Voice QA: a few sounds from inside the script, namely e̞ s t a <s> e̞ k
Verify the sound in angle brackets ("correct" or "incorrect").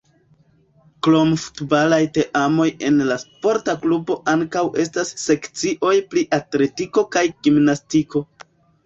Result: incorrect